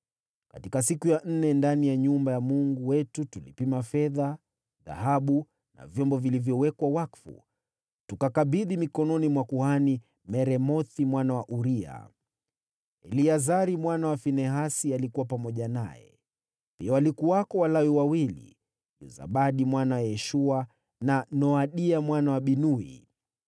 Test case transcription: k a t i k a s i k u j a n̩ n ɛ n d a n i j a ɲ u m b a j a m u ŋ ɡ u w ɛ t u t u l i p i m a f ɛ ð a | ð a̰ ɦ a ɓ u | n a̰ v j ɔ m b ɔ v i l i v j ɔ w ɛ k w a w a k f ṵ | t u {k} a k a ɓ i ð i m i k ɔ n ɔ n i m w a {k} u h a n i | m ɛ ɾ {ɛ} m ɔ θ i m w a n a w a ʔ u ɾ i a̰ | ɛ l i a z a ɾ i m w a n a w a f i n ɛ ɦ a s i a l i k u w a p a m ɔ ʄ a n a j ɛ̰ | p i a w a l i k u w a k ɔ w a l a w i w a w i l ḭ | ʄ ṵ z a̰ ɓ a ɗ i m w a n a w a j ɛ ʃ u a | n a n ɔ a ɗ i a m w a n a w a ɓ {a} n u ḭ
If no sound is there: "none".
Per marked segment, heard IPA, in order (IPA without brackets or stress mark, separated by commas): k, k, ɛ, i